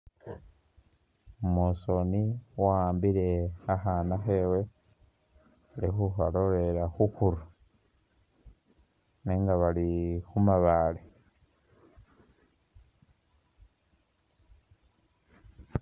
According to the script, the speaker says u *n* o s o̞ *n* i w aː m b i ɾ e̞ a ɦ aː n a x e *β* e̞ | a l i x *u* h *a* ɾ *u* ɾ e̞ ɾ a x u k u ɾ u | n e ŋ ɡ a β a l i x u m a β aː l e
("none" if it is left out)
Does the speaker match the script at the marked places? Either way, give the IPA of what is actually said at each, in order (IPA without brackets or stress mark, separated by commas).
m, n, w, u, a, o